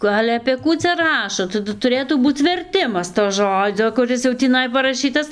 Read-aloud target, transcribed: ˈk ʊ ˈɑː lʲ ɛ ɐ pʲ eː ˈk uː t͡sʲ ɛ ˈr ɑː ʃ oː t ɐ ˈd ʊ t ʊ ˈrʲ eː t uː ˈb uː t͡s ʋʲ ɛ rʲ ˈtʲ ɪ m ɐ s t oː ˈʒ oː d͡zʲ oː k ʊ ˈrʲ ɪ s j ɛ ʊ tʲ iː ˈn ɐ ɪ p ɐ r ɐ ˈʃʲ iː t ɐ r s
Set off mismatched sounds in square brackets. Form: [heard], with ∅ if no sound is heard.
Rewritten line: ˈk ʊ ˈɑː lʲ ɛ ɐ pʲ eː ˈk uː t͡sʲ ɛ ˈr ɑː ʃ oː t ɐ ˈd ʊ t ʊ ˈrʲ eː t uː ˈb uː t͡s ʋʲ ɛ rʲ ˈtʲ ɪ m ɐ s t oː ˈʒ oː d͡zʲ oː k ʊ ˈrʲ ɪ s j ɛ ʊ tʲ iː ˈn ɐ ɪ p ɐ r ɐ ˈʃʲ iː t ɐ [∅] s